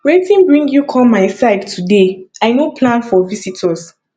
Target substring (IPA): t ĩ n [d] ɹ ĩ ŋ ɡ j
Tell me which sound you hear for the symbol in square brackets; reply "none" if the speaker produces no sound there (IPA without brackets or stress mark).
b